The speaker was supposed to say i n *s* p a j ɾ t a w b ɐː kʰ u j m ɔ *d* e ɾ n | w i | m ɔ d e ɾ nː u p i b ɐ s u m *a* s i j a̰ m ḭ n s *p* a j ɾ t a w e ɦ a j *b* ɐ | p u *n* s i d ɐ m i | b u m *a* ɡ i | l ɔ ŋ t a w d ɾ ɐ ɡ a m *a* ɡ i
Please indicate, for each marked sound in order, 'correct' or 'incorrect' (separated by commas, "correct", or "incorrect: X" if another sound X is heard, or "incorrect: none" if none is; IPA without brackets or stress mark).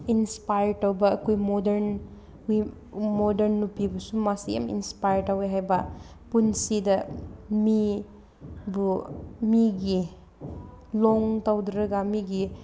correct, correct, correct, correct, correct, correct, incorrect: i, incorrect: i